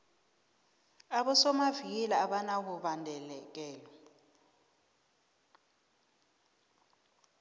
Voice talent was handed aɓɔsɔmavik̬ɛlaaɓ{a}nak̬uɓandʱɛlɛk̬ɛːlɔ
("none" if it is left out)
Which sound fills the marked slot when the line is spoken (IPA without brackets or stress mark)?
a